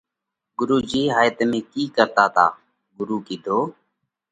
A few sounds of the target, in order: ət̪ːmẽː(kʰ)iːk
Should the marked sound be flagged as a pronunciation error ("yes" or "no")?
yes